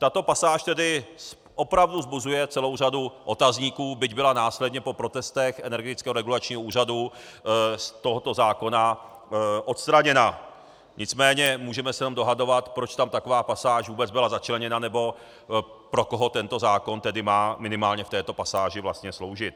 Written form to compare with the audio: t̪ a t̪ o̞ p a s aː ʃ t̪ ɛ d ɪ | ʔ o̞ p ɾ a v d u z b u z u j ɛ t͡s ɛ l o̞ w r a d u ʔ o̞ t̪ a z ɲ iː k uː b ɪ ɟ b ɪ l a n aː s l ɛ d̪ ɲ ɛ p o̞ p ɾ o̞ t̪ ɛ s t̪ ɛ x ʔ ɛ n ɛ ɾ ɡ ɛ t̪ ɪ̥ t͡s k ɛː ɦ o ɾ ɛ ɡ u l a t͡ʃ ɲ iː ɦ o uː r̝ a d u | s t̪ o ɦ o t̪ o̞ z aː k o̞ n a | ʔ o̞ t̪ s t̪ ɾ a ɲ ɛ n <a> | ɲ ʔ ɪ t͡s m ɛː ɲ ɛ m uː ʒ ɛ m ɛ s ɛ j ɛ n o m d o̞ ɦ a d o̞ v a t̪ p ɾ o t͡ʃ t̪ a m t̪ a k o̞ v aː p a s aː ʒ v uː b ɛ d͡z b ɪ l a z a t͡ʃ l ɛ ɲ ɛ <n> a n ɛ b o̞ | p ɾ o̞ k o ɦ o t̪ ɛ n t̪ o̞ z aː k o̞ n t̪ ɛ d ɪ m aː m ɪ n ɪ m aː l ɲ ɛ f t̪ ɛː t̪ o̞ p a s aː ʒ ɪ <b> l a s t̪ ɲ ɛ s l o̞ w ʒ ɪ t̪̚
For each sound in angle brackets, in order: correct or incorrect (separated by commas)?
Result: correct, correct, incorrect